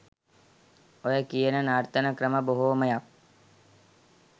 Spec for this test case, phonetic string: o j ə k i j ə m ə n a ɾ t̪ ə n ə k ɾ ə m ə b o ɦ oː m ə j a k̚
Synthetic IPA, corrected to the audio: o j ə k i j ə n ə n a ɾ t̪ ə n ə k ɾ ə m ə b o ɦ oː m ə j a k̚